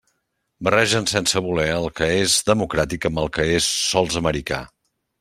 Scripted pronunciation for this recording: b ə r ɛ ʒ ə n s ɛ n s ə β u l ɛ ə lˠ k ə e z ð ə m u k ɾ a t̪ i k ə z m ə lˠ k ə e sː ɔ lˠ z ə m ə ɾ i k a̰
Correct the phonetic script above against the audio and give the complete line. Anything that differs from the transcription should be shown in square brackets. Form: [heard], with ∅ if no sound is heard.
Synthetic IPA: b ə r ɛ ʒ ə n s ɛ n s ə β u l ɛ ə lˠ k ə e z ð ə m u k ɾ a t̪ i k ə [∅] m ə lˠ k ə e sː ɔ lˠ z ə m ə ɾ i k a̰